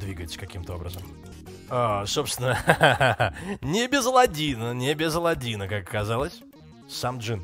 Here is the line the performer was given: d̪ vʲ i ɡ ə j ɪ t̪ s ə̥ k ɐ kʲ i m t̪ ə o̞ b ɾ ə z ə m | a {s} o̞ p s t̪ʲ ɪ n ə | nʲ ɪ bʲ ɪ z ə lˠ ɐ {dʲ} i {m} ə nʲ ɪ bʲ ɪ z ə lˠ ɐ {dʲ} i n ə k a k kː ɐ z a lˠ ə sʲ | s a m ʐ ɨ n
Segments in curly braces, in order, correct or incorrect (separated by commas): correct, correct, incorrect, correct